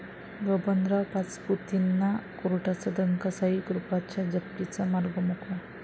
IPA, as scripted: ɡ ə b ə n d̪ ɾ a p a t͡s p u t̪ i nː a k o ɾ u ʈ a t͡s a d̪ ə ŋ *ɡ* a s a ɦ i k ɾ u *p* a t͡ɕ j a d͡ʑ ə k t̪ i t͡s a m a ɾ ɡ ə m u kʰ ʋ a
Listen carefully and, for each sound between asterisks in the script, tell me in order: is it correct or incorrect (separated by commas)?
incorrect, correct